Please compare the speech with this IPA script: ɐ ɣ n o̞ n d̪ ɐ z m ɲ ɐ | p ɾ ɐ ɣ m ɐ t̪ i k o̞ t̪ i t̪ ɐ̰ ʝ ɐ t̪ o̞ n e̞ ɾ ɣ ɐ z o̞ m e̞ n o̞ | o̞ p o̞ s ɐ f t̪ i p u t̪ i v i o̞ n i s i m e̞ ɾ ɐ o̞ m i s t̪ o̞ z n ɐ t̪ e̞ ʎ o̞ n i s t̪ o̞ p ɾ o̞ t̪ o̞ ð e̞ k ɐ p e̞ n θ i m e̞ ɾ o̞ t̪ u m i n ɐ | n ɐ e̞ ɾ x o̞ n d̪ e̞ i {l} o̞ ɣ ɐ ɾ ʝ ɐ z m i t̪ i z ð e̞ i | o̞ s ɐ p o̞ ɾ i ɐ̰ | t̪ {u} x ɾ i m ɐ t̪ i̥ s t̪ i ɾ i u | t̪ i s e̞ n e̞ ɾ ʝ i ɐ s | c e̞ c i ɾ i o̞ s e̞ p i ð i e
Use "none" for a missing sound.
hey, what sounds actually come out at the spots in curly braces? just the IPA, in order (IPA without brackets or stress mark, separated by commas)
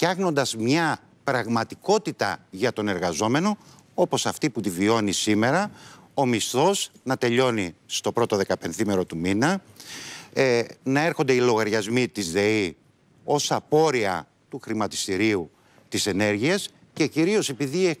l, u